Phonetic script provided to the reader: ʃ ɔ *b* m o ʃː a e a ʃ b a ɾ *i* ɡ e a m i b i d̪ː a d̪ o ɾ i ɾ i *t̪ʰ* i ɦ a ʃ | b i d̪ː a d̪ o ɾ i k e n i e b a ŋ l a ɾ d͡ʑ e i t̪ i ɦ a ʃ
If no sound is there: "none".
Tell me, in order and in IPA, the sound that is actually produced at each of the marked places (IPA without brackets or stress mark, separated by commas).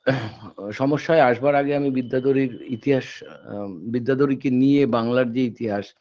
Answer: none, a, t̪